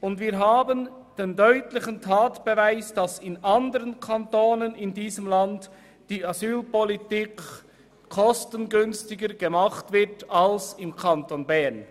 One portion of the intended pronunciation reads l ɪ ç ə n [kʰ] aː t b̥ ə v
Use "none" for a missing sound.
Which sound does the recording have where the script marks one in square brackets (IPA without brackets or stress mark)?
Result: tʰ